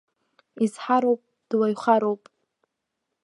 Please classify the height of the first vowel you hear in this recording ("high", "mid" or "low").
high